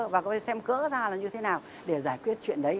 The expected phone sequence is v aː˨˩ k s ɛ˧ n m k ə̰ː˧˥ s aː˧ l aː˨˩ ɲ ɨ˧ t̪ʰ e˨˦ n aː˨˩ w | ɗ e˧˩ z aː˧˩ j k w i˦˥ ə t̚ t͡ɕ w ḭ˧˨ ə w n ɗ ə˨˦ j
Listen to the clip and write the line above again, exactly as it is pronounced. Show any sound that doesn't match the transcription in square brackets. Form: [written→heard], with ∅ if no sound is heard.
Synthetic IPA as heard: v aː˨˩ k s ɛ˧ [n→∅] m k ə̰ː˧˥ [s→z] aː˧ l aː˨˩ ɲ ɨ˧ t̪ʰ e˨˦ n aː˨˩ w | ɗ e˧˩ z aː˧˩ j k w i˦˥ ə t̚ t͡ɕ w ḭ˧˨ ə [w→∅] n ɗ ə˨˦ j